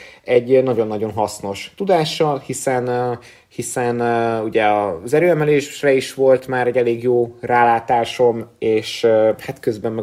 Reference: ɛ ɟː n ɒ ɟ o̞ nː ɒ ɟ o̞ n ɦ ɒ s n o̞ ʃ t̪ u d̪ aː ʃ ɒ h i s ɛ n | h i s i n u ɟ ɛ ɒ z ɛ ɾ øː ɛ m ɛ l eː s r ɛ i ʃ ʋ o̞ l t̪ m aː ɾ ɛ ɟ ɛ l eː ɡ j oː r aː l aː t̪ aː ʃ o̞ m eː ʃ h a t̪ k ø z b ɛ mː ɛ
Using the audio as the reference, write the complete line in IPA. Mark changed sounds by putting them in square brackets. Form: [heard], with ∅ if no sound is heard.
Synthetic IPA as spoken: ɛ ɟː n ɒ ɟ o̞ nː ɒ ɟ o̞ n ɦ ɒ s n o̞ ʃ t̪ u d̪ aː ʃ ɒ h i s ɛ n | h i s [ɛ] n u ɟ ɛ ɒ z ɛ ɾ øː ɛ m ɛ l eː [ʃ] r ɛ i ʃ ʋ o̞ l t̪ m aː ɾ ɛ ɟ ɛ l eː ɡ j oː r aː l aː t̪ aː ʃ o̞ m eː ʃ h a t̪ k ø z b ɛ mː ɛ